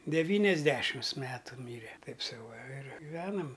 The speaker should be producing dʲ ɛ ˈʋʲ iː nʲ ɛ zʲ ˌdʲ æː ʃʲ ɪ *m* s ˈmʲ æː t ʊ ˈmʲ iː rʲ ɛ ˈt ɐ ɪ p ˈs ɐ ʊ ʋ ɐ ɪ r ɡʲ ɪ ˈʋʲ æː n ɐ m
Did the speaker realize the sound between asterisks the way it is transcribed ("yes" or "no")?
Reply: yes